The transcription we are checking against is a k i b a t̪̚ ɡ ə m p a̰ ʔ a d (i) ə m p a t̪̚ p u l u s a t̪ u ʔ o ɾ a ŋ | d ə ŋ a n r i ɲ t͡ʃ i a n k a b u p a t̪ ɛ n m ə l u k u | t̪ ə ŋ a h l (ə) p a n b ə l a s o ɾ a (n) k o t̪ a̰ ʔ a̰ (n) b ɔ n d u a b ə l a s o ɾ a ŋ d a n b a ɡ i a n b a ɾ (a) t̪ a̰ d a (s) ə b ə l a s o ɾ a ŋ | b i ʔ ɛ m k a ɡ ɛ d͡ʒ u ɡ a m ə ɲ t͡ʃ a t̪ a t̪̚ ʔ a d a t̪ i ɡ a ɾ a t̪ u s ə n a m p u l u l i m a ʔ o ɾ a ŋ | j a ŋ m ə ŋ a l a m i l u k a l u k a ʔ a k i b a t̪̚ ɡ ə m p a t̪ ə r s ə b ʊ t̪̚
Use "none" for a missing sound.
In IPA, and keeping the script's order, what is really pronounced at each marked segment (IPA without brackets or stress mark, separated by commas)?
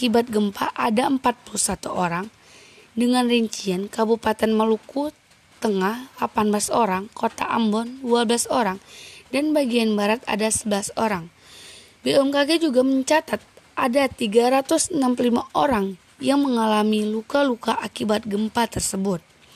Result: a, a, ŋ, m, a, s